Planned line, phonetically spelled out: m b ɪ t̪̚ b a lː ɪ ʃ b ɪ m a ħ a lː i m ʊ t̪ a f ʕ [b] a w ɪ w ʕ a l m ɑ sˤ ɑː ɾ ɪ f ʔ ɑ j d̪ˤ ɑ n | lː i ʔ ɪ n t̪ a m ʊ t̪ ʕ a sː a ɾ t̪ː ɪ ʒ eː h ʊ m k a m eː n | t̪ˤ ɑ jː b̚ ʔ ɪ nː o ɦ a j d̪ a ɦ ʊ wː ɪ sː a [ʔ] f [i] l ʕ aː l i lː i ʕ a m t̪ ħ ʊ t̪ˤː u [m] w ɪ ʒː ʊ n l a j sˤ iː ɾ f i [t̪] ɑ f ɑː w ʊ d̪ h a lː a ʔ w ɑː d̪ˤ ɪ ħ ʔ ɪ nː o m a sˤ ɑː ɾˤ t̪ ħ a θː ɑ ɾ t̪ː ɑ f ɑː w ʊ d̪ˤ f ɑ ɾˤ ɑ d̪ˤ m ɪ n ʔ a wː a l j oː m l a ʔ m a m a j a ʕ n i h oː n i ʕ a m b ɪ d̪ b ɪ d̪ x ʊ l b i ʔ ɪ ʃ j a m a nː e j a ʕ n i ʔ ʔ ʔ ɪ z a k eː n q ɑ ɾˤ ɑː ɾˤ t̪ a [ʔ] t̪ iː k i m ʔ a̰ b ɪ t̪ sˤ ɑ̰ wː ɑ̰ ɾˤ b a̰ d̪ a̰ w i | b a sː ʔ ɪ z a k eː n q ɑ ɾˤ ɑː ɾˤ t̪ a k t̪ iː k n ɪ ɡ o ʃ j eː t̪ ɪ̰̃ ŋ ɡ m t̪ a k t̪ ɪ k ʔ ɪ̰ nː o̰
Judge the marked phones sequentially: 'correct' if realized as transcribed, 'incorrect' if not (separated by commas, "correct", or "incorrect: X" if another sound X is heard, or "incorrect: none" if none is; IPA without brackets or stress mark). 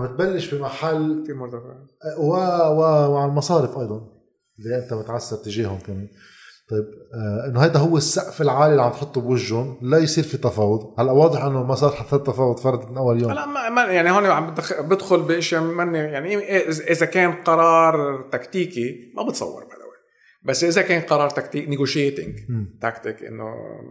incorrect: w, correct, incorrect: ɪ, incorrect: b, correct, incorrect: k